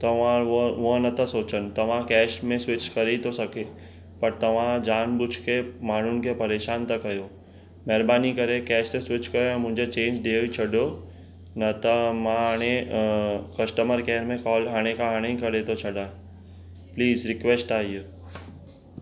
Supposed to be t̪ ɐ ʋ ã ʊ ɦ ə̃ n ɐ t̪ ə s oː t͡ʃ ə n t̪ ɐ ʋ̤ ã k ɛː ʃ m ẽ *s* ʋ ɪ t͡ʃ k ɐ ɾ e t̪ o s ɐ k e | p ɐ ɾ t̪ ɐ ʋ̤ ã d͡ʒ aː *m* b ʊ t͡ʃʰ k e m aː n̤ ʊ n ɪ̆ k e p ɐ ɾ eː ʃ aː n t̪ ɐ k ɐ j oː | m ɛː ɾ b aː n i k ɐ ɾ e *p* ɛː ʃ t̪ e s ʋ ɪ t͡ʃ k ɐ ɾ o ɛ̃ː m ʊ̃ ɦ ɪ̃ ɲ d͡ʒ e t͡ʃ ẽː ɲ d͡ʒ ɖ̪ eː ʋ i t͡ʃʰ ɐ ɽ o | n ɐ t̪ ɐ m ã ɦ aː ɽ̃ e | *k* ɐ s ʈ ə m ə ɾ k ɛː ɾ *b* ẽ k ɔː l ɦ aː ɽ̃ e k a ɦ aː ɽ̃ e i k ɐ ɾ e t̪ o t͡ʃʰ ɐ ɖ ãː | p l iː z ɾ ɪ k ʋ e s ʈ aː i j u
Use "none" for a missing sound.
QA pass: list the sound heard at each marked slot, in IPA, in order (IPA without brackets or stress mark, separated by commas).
s, n, k, k, m